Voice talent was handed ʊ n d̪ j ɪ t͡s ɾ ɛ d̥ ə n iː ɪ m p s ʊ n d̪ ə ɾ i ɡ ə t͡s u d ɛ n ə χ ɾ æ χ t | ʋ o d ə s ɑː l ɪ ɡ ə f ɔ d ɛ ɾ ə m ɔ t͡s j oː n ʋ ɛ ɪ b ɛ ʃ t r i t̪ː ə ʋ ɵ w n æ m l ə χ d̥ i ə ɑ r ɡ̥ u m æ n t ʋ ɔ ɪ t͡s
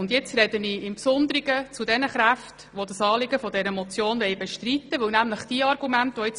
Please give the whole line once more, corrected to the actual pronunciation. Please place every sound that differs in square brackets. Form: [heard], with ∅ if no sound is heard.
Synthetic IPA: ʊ n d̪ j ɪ t͡s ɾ ɛ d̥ ə n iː ɪ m p s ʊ n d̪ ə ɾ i ɡ ə t͡s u d ɛ n ə χ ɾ æ [f] t | ʋ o d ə s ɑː l ɪ ɡ ə f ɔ d ɛ ɾ ə m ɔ t͡s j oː n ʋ ɛ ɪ b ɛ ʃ t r i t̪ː ə ʋ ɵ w n æ m l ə χ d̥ i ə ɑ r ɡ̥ u m æ n t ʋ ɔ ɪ t͡s